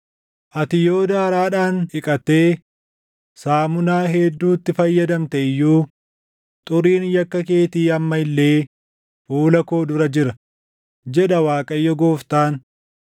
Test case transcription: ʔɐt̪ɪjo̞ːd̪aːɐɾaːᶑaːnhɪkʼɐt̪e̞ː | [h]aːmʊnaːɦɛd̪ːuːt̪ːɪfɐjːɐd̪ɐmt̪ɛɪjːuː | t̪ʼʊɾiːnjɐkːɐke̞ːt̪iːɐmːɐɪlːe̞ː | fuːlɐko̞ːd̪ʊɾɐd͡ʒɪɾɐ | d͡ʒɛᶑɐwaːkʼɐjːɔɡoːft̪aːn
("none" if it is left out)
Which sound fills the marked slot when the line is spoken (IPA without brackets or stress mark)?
s